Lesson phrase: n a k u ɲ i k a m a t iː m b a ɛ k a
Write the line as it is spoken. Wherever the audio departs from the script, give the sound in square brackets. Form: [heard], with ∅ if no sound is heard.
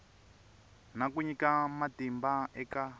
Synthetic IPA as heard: n a k u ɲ i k a m a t [i] m b a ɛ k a